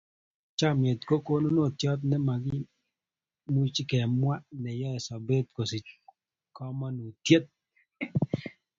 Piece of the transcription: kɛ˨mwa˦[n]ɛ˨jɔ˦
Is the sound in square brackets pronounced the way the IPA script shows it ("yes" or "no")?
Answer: yes